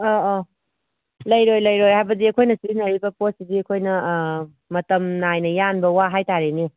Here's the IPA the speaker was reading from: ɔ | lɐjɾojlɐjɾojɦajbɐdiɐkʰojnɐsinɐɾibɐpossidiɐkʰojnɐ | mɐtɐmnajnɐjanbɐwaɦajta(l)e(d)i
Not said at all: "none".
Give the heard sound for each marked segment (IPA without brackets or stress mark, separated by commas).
ɾ, n